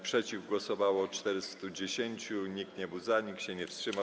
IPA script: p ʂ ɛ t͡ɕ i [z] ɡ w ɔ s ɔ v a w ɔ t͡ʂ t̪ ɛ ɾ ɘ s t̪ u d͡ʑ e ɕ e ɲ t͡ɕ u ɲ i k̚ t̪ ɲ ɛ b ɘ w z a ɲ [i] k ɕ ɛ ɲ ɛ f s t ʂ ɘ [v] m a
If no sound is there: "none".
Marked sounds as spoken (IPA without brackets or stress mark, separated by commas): v, i, none